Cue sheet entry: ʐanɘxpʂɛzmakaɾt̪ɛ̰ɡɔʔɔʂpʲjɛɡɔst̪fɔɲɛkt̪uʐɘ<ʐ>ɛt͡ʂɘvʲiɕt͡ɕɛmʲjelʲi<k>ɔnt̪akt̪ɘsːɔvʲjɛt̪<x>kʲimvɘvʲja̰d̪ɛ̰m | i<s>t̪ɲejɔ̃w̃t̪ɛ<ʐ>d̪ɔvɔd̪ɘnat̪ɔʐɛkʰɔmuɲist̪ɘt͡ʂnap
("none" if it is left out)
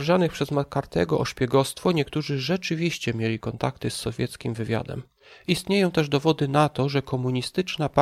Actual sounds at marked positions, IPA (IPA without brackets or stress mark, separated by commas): ʐ, k, s, s, ʐ